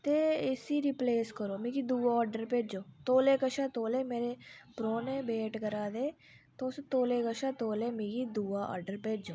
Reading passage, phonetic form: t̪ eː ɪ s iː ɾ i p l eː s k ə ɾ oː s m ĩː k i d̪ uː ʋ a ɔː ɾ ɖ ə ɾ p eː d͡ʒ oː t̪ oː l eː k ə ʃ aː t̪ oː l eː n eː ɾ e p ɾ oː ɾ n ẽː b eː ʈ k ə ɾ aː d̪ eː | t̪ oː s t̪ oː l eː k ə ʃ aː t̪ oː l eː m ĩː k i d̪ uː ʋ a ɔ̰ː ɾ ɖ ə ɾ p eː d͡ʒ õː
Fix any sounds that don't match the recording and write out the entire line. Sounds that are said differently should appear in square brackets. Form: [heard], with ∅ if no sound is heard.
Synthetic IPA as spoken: t̪ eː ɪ s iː ɾ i p l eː s k ə ɾ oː [∅] m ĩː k i d̪ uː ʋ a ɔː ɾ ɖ ə ɾ p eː d͡ʒ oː t̪ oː l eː k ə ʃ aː t̪ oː l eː [m] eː ɾ e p ɾ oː [∅] n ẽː b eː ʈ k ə ɾ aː d̪ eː | t̪ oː s t̪ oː l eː k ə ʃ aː t̪ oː l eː m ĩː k i d̪ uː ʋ a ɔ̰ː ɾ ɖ ə ɾ p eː d͡ʒ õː